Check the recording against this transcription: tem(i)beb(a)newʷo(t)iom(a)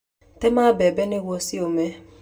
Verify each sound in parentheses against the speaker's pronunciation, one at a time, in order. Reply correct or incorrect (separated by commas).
incorrect, incorrect, incorrect, incorrect